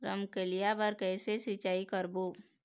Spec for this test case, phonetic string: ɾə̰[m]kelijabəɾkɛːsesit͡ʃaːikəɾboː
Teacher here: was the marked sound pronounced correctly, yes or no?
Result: yes